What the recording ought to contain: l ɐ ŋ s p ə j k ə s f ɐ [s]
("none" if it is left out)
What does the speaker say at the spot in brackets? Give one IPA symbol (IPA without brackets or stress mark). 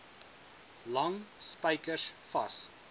s